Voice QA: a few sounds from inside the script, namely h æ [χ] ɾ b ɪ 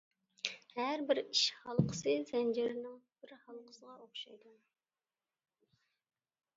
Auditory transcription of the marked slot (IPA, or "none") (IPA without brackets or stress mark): none